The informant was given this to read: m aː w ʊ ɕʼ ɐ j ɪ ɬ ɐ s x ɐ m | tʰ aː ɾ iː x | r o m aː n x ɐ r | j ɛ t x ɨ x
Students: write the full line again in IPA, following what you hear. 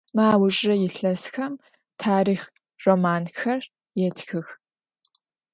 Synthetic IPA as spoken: m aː w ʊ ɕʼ ɐ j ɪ ɬ ɐ s x ɐ m | tʰ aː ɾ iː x | r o m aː n x ɐ r | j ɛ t x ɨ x